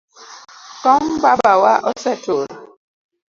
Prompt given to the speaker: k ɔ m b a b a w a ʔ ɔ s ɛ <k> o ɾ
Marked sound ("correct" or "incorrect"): incorrect